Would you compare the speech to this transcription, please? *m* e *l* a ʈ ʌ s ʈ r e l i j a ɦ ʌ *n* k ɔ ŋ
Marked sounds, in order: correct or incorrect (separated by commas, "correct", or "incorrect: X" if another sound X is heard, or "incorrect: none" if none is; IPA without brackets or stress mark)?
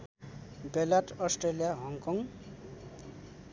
incorrect: b, correct, incorrect: ŋ